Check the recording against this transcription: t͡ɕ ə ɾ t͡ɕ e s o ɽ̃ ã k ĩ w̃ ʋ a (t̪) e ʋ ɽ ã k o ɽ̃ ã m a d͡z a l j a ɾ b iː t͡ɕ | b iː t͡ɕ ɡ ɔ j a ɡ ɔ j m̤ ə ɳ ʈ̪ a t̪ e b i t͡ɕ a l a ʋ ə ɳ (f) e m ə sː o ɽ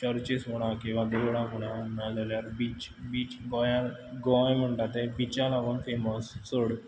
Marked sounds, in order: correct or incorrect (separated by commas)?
incorrect, correct